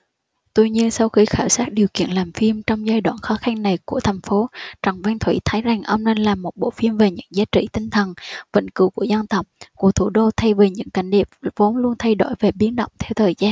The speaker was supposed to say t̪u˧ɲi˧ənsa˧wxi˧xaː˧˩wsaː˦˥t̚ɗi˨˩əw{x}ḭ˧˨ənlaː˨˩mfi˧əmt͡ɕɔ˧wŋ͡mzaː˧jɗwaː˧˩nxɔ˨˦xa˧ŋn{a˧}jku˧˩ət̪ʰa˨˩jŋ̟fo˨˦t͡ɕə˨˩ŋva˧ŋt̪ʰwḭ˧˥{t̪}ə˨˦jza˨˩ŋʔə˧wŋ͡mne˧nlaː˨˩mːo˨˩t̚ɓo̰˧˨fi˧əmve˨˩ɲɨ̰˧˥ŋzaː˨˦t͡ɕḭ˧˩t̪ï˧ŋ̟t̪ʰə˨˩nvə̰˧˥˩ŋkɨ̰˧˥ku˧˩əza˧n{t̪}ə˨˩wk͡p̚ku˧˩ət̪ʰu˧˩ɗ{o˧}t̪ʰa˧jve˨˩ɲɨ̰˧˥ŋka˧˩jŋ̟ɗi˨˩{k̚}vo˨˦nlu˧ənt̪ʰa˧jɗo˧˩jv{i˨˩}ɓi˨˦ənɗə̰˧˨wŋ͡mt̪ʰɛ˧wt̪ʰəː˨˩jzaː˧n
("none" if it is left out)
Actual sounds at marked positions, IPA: k, a˨˩, t̪ʰ, t̪, o˧, p̚, e˨˩

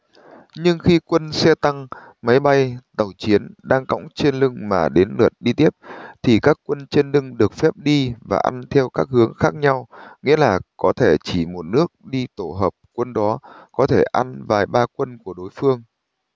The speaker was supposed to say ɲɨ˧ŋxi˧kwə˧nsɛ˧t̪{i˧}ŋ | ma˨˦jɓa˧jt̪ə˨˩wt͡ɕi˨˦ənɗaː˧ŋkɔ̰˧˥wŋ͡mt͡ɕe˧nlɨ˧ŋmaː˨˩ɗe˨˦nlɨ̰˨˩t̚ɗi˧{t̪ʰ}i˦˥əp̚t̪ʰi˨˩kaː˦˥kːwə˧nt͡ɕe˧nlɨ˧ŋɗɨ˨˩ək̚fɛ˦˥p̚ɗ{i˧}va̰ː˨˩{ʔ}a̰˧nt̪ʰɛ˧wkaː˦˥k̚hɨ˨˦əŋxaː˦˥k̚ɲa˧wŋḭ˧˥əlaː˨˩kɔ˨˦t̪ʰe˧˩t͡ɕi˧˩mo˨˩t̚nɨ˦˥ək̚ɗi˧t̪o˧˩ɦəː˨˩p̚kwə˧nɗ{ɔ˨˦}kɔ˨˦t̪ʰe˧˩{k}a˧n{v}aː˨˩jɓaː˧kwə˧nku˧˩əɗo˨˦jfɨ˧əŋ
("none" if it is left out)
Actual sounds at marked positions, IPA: a˧, t̪, i˧, ʔ, ɔ˨˦, ʔ, v

